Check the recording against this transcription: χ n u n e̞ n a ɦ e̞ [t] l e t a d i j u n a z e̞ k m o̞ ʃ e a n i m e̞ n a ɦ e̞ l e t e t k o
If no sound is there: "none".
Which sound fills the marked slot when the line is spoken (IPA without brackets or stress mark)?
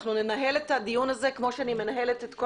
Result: none